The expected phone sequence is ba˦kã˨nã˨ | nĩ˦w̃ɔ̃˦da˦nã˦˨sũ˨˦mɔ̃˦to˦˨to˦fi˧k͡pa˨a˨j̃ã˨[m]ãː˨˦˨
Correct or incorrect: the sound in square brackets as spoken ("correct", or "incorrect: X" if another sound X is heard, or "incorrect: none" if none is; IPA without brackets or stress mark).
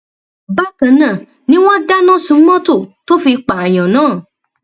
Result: incorrect: n